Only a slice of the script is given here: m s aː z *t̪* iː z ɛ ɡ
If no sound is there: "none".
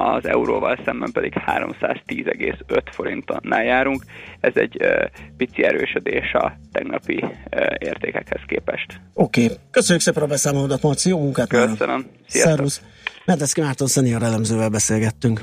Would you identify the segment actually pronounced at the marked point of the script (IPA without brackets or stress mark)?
t̪